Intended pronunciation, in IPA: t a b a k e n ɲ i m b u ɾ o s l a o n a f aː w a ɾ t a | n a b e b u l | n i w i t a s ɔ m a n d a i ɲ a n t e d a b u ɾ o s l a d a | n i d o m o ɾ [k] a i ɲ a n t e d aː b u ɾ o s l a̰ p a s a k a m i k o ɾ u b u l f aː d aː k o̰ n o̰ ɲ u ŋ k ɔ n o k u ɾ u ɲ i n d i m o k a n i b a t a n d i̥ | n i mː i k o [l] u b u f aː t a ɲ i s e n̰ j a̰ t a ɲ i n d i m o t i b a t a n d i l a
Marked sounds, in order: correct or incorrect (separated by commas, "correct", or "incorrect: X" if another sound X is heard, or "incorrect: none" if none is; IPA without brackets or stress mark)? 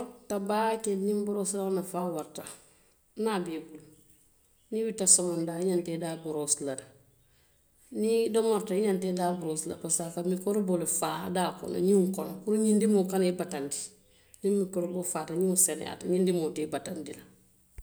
incorrect: t, incorrect: ɾ